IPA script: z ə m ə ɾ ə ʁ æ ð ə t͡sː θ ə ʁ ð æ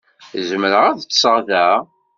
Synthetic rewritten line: z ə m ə ɾ ə ʁ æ ð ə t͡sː s ə ʁ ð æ